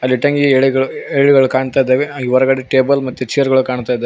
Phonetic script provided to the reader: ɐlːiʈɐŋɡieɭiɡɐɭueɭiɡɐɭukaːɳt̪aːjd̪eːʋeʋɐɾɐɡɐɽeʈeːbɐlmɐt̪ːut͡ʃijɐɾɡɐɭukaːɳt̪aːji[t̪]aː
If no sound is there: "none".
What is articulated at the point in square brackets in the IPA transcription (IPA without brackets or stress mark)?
d̪